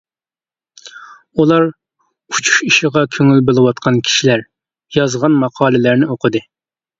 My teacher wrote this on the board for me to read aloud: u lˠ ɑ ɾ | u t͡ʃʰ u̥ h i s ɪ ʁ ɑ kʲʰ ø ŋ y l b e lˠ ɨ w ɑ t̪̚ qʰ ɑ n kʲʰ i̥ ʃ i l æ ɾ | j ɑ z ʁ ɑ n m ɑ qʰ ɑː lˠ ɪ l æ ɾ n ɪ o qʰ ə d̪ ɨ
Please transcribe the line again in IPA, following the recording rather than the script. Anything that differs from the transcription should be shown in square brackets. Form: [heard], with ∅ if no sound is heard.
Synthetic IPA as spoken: u lˠ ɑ ɾ | u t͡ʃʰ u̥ [ʃ] i [ʃ] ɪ ʁ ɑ kʲʰ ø ŋ y l b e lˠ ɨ w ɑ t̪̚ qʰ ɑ n kʲʰ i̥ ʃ i l æ ɾ | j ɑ z ʁ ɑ n m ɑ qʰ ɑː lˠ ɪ l æ ɾ n ɪ o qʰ ə d̪ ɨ